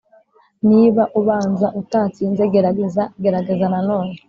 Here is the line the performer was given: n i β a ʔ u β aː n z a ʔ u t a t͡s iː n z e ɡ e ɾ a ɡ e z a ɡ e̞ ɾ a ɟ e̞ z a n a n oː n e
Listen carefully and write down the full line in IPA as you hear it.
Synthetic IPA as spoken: n i β a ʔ u β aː n z a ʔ u t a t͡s iː n z e ɡ e ɾ a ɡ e z a ɡ e̞ ɾ a ɡ e̞ z a n a n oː n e